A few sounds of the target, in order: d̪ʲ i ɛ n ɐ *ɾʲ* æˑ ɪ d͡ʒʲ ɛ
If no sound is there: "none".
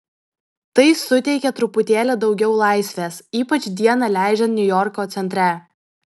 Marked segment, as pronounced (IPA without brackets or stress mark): lʲ